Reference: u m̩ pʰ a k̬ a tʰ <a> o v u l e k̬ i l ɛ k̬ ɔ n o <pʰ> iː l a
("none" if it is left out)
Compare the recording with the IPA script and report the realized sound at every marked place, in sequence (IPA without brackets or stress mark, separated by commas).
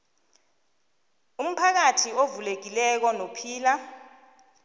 i, pʰ